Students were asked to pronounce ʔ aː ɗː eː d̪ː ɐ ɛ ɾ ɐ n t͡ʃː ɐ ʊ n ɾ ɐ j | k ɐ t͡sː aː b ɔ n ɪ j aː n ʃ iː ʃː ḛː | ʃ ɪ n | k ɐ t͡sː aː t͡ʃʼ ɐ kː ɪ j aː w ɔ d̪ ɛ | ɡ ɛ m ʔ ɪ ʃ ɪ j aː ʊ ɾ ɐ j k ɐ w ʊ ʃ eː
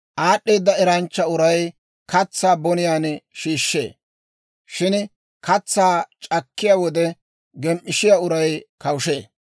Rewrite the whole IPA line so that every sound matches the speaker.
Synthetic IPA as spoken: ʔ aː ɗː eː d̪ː ɐ ɛ ɾ ɐ n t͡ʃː ɐ ʊ ɾ ɐ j | k ɐ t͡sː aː b ɔ n ɪ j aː n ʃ iː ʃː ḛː | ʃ ɪ n | k ɐ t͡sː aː t͡ʃʼ ɐ kː ɪ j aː w ɔ d̪ ɛ | ɡ ɛ m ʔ ɪ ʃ ɪ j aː ʊ ɾ ɐ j k ɐ w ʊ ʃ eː